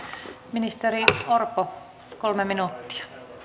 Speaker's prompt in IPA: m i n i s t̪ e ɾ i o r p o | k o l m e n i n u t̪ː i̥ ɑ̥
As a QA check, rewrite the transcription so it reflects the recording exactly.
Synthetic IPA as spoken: m i n i s t̪ e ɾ i o r p o | k o l m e m i n u t̪ː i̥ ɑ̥